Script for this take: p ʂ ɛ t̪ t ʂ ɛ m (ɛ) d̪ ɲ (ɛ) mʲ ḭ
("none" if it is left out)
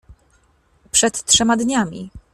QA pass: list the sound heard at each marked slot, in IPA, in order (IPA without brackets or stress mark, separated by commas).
a, a